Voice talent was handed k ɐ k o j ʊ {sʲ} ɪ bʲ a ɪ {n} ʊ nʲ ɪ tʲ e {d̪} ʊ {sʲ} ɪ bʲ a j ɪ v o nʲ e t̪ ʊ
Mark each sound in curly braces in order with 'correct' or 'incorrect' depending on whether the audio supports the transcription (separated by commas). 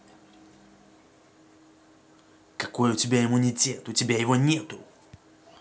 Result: incorrect, incorrect, incorrect, incorrect